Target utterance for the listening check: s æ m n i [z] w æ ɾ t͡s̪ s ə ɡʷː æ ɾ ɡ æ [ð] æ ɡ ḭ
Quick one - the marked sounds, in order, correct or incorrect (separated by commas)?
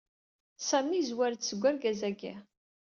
correct, incorrect